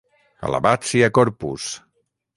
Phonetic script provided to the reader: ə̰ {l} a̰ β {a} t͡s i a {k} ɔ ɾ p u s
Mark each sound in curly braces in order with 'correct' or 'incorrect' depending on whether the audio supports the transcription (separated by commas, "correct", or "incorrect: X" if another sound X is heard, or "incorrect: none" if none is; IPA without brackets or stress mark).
correct, correct, correct